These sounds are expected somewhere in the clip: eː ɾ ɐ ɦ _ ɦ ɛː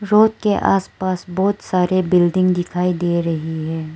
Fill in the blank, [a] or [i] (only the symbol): i